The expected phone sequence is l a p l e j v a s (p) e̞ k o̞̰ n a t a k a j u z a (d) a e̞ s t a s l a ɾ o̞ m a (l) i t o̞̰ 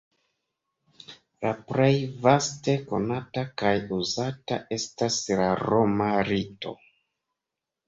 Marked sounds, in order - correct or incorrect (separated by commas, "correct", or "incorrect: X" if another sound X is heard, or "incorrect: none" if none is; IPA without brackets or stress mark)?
incorrect: t, incorrect: t, incorrect: ɾ